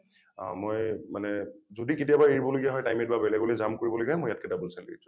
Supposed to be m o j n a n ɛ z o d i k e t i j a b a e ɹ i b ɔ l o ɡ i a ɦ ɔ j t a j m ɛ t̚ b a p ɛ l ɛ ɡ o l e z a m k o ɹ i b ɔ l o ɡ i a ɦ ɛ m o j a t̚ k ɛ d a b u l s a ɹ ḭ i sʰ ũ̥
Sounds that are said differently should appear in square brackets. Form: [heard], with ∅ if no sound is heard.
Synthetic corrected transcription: m o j [m] a n ɛ z o d i k e t i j a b a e ɹ i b ɔ l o ɡ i a ɦ ɔ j t a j m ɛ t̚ b a [b] ɛ l ɛ ɡ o l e z a m k o ɹ i b ɔ l o ɡ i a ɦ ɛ m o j a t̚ k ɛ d a b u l s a [l] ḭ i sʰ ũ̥